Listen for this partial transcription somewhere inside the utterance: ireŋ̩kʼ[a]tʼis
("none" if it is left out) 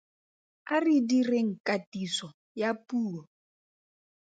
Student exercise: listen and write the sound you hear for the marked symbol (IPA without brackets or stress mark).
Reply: a